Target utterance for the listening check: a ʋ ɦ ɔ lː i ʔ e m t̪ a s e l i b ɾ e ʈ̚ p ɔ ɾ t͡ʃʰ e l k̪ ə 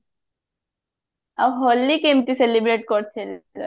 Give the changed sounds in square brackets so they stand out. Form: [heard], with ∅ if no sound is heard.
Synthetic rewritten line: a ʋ ɦ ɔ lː i [k] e m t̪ [i] s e l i b ɾ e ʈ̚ [k] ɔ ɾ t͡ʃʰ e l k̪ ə